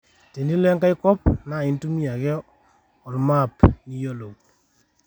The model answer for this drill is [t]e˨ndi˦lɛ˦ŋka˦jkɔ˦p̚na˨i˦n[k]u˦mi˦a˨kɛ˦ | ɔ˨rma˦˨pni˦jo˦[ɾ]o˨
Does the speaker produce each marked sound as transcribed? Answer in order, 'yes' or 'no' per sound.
yes, no, no

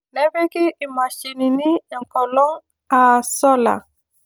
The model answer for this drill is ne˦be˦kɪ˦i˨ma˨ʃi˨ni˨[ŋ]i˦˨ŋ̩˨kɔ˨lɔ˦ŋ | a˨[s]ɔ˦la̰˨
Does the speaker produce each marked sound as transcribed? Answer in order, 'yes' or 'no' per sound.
no, yes

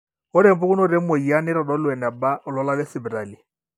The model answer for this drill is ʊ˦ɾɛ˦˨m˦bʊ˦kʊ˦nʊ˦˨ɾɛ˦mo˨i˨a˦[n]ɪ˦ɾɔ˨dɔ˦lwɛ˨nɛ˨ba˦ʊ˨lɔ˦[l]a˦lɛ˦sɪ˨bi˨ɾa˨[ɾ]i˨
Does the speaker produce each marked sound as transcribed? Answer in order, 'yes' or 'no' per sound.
yes, yes, no

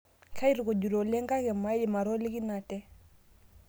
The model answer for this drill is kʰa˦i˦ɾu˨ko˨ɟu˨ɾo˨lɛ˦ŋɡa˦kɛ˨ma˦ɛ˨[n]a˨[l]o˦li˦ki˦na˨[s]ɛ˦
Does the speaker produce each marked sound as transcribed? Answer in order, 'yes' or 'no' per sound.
no, no, no

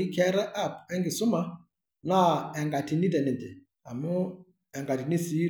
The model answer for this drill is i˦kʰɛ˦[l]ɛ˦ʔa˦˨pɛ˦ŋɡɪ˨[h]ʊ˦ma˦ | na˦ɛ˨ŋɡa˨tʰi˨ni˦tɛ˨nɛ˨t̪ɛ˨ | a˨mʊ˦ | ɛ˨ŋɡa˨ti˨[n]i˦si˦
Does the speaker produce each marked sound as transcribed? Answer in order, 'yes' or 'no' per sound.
no, no, yes

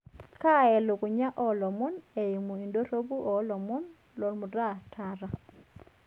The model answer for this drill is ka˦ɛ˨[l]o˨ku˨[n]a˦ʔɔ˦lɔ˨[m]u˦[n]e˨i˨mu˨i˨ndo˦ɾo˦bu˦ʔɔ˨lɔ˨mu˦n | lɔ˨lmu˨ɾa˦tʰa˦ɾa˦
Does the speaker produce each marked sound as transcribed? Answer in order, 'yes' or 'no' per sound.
yes, no, yes, yes

